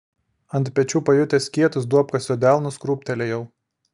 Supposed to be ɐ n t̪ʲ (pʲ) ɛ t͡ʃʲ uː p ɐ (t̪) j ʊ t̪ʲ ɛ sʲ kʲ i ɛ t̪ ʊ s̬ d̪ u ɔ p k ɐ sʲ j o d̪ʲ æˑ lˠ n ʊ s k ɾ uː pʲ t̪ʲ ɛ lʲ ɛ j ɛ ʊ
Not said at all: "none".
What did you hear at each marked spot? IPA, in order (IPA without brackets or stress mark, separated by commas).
pʲ, none